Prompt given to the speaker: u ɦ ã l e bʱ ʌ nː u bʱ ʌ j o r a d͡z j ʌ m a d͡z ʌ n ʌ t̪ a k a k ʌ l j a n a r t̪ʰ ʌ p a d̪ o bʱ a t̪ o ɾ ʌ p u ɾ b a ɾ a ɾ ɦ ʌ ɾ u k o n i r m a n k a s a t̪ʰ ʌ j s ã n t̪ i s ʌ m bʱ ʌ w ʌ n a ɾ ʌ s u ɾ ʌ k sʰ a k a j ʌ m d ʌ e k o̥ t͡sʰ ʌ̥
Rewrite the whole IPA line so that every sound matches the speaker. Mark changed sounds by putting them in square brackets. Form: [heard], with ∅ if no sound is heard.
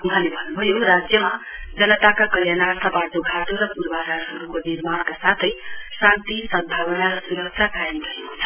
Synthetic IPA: u ɦ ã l e bʱ ʌ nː u bʱ ʌ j o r a d͡z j ʌ m a d͡z ʌ n ʌ t̪ a k a k ʌ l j a n a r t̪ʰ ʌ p a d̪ o [ɡʱ] a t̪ o ɾ ʌ p u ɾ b a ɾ a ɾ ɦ ʌ ɾ u k o n i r m a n k a s a t̪ʰ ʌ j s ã n t̪ i s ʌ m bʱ [a] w ʌ n a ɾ ʌ s u ɾ ʌ k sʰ a k a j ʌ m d ʌ e k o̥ t͡sʰ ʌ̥